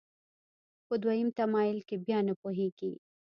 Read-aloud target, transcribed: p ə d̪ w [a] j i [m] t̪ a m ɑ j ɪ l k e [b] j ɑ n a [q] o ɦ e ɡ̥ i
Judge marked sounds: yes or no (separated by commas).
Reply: yes, yes, yes, no